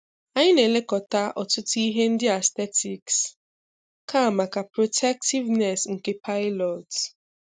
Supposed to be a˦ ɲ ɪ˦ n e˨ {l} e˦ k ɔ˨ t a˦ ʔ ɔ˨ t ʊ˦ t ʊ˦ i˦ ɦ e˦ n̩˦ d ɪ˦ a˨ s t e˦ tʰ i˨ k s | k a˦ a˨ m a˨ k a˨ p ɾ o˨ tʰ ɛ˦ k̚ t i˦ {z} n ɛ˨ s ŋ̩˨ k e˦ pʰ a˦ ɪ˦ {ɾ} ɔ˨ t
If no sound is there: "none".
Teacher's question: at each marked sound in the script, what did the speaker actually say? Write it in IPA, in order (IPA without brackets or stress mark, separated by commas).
l, v, l